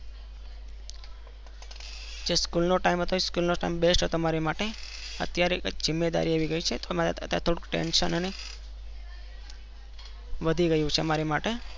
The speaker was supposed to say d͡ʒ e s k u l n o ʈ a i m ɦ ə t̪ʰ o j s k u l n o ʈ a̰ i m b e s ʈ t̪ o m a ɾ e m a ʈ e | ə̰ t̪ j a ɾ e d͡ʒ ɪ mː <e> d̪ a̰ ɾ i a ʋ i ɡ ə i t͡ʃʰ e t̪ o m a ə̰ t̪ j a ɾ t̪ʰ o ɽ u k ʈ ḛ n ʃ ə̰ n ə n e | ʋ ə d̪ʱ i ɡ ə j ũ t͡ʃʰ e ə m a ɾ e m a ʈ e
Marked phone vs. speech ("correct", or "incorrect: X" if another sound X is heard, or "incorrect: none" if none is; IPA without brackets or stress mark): correct